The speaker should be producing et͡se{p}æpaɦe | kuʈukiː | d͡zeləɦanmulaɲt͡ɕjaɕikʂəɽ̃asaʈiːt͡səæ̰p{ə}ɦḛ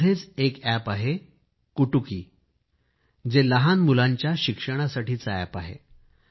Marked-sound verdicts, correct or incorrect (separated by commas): incorrect, incorrect